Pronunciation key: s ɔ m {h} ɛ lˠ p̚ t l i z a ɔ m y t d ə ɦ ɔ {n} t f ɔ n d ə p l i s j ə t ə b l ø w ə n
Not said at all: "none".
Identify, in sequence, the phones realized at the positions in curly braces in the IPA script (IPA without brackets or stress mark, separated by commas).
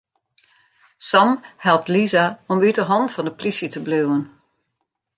h, n